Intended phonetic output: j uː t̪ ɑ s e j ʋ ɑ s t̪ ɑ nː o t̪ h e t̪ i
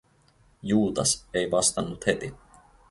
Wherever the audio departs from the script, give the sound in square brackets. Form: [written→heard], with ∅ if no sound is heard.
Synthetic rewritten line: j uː t̪ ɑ s e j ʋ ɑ s t̪ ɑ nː [o→u] t̪ h e t̪ i